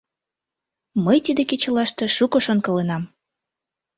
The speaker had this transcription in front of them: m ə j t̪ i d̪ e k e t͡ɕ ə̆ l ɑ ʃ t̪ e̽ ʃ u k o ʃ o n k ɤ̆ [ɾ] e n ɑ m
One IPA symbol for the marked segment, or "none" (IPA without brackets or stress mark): l